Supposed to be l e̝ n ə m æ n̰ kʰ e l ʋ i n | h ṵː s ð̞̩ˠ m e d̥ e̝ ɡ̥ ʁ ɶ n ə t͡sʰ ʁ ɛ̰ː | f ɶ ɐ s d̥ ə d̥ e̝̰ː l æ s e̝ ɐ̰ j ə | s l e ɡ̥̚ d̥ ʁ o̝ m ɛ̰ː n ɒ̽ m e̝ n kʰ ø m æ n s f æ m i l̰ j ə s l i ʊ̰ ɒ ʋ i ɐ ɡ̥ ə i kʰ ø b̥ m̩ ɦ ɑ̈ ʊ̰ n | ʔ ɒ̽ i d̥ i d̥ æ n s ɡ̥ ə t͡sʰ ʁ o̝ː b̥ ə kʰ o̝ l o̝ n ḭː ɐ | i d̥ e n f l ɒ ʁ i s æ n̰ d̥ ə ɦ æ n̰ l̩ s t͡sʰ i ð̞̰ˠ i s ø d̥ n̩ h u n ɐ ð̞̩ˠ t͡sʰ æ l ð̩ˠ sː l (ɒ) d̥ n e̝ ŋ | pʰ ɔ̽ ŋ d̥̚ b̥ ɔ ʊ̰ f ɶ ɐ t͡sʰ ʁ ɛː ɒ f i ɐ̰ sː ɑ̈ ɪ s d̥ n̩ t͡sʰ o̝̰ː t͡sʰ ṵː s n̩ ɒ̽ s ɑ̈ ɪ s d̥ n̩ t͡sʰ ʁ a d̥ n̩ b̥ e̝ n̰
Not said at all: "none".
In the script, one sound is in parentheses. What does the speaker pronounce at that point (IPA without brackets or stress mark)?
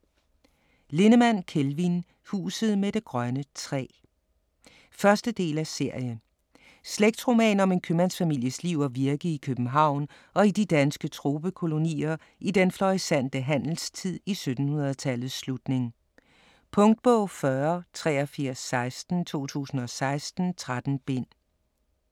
u